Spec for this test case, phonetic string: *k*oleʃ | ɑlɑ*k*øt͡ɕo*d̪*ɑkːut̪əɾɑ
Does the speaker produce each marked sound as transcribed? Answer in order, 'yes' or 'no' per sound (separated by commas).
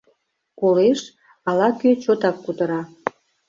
yes, yes, no